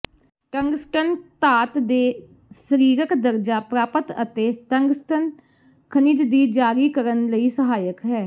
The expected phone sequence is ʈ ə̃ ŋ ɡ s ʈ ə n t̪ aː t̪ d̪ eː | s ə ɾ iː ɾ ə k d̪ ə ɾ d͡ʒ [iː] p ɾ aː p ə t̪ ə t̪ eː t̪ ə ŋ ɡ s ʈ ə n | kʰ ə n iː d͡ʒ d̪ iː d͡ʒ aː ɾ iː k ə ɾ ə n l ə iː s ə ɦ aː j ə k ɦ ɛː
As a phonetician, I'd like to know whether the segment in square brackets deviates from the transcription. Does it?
yes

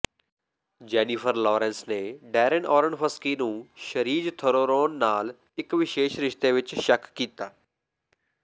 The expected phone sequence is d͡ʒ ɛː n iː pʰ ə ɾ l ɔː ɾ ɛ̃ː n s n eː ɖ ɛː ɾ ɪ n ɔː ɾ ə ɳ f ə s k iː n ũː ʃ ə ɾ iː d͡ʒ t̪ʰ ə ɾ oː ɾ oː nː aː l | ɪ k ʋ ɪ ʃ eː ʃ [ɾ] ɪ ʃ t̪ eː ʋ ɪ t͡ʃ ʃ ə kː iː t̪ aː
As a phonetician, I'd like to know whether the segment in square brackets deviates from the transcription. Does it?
no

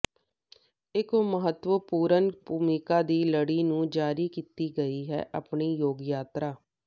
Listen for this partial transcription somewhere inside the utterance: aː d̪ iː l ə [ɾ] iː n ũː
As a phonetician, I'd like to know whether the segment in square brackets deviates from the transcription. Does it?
yes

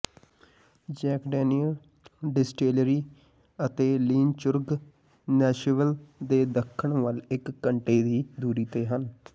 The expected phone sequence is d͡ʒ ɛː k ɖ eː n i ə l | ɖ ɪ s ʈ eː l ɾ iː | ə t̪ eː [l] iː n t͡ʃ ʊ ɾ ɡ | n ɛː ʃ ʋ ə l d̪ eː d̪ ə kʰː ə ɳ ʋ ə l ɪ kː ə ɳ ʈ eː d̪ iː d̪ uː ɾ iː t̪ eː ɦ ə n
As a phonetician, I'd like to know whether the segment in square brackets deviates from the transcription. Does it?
no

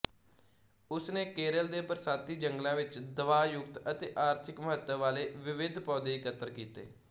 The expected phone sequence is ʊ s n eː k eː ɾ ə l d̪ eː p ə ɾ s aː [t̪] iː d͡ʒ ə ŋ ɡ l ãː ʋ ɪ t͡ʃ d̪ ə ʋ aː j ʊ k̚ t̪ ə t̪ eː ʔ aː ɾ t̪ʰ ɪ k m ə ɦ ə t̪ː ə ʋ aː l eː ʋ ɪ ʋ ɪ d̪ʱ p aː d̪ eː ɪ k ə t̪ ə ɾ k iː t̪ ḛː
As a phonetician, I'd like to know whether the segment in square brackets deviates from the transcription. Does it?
no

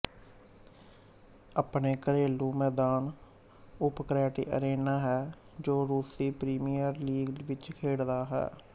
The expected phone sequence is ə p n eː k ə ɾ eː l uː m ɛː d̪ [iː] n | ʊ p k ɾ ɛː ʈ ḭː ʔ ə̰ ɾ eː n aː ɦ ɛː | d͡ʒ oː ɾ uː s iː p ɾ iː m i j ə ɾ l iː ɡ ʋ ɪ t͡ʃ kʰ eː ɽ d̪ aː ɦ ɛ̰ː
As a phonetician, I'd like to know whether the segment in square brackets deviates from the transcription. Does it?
yes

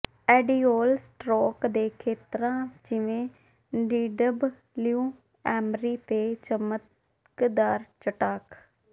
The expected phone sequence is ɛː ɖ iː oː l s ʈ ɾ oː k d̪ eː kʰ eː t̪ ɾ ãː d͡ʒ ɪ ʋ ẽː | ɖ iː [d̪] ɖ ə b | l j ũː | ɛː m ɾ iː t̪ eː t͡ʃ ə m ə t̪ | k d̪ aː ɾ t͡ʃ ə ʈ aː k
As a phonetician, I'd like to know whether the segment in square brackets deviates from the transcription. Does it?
yes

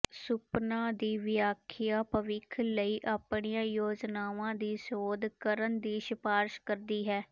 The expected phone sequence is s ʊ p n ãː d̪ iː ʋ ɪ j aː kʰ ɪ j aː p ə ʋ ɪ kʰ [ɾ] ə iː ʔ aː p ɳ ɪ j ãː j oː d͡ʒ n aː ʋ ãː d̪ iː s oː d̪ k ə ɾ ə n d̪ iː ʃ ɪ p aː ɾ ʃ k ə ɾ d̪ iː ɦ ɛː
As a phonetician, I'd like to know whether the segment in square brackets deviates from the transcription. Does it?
yes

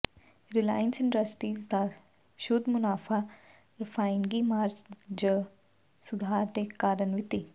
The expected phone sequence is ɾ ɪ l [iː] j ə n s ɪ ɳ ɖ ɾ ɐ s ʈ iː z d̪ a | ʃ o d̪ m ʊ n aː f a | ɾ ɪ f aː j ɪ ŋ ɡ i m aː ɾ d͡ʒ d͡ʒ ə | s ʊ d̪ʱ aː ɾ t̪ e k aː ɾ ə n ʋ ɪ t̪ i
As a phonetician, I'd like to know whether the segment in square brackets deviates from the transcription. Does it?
yes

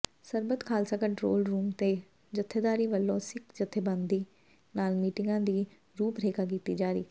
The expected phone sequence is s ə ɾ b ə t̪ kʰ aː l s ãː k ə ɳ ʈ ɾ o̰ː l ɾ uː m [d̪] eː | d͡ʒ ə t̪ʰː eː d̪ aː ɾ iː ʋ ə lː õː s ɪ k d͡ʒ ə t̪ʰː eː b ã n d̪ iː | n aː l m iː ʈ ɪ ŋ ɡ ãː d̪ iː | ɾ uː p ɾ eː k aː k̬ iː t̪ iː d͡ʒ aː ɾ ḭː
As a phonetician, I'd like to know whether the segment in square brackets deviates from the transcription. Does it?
yes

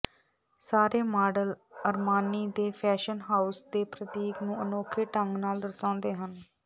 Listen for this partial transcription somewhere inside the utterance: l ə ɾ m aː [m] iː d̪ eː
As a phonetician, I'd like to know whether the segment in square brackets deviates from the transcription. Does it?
yes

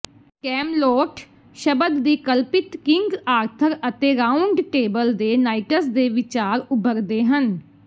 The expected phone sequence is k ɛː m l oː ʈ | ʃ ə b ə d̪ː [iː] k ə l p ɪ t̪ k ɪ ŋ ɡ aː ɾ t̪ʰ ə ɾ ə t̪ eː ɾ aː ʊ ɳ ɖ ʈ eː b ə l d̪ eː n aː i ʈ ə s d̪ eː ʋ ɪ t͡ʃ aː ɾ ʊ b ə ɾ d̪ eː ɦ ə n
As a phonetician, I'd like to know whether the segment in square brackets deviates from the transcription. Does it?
no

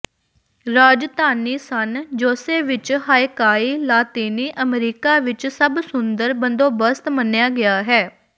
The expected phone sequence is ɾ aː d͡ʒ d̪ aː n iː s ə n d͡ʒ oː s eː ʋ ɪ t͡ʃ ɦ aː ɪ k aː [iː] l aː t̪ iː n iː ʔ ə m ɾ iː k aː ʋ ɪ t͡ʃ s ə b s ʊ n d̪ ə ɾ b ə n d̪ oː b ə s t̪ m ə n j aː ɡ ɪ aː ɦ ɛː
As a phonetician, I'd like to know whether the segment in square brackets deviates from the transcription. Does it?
no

